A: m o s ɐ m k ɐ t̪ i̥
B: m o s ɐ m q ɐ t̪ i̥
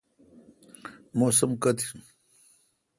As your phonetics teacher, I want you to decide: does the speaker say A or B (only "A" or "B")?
A